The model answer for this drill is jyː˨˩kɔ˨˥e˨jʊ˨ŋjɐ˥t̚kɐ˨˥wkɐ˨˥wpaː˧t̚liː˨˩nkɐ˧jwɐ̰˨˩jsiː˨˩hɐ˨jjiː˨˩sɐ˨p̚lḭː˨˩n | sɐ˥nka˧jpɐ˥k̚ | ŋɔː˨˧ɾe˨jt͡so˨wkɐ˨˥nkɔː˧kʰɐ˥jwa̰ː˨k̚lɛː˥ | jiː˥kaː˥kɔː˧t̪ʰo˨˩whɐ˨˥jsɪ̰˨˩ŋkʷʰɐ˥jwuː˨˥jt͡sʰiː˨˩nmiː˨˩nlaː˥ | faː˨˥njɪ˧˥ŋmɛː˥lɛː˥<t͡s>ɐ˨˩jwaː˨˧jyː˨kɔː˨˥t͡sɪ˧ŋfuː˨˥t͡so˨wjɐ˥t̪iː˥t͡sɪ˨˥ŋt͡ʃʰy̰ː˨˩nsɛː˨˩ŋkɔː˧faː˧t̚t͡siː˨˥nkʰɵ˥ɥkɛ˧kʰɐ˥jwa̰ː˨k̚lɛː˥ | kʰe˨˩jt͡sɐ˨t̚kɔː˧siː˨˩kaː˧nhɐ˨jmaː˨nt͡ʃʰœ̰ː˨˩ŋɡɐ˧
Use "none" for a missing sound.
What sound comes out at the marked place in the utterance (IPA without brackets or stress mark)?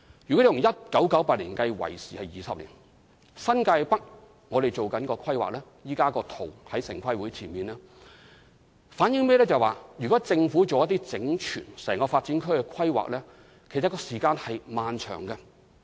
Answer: t͡s